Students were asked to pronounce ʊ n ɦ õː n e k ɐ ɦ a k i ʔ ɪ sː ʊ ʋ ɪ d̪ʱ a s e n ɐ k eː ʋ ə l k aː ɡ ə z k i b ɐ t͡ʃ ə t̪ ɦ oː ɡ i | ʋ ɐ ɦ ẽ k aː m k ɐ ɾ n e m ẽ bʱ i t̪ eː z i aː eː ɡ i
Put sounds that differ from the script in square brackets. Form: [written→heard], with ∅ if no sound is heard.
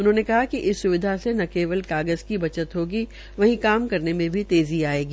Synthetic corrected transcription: ʊ n ɦ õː n e k ɐ ɦ a k i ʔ ɪ sː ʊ ʋ ɪ d̪ʱ a s e n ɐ k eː ʋ ə l k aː ɡ ə z k i b ɐ t͡ʃ ə t̪ ɦ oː ɡ i | ʋ ɐ ɦ [ẽ→ĩ] k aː m k ɐ ɾ n e m ẽ bʱ i t̪ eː z i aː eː ɡ i